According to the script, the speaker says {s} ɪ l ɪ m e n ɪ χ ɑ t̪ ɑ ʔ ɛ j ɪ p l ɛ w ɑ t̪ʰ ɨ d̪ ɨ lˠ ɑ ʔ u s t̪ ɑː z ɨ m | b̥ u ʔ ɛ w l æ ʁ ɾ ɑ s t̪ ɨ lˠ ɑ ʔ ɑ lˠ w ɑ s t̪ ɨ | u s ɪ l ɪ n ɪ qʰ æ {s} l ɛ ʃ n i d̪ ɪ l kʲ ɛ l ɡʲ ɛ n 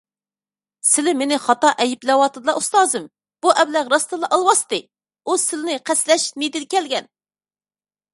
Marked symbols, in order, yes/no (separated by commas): yes, yes